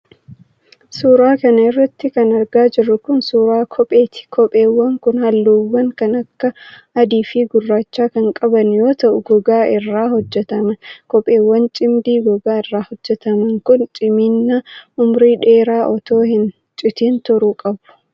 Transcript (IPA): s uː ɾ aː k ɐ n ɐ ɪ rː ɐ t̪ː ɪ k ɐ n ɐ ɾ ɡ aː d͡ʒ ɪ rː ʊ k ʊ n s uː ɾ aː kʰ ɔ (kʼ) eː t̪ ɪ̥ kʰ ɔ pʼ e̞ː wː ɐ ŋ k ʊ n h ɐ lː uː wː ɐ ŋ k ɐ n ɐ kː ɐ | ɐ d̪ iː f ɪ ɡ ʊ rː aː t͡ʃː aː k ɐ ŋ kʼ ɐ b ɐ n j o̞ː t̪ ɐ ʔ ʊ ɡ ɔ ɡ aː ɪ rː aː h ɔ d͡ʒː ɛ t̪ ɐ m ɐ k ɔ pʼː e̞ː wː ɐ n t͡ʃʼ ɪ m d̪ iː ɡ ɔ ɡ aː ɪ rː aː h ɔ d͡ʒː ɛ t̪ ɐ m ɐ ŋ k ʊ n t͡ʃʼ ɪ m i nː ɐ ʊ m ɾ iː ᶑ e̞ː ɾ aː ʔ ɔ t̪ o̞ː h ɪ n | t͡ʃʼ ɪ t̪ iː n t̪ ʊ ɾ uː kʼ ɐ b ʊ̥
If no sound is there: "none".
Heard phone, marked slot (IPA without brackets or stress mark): pʼ